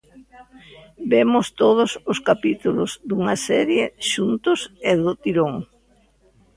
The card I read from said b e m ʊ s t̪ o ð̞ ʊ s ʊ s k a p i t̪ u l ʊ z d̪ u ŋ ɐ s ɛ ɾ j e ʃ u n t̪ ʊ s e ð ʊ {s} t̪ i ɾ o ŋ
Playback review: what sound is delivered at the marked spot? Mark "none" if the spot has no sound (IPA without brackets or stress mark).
none